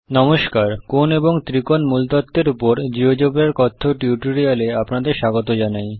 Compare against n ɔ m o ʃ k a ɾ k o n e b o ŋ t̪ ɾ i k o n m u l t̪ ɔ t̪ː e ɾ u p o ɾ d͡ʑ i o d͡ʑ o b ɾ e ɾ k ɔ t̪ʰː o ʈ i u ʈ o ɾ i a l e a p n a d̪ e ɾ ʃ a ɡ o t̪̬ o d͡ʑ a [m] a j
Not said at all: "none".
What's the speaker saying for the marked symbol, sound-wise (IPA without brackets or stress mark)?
n